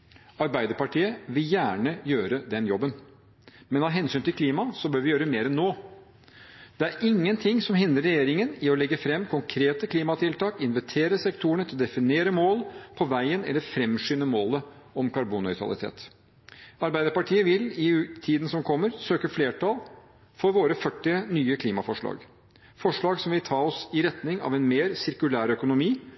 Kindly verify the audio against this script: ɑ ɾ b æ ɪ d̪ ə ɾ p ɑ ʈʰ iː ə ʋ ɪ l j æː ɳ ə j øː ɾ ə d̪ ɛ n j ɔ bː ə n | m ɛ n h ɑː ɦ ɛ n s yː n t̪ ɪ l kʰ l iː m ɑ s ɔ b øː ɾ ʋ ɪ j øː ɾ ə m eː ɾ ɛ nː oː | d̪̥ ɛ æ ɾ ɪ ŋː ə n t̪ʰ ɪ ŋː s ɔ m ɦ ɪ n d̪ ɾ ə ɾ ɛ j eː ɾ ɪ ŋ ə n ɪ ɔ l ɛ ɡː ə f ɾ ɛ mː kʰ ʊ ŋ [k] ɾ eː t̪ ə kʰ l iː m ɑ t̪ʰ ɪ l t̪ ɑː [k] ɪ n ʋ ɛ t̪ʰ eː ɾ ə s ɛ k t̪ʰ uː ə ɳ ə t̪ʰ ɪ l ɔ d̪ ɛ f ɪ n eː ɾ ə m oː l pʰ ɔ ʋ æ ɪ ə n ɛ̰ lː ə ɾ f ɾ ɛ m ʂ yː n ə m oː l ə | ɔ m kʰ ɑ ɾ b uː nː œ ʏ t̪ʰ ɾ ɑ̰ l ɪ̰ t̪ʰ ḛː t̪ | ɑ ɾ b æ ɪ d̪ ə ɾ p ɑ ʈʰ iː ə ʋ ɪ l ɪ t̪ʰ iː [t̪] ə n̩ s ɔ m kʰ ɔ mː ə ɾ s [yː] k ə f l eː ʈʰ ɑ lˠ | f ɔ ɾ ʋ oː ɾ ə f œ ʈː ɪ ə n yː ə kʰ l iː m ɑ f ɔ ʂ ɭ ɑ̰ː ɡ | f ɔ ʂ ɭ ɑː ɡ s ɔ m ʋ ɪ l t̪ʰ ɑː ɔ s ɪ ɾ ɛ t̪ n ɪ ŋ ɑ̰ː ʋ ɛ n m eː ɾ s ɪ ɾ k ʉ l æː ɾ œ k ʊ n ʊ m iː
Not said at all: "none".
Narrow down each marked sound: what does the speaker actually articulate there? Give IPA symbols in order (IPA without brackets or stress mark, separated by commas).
kʰ, k, d̪, øː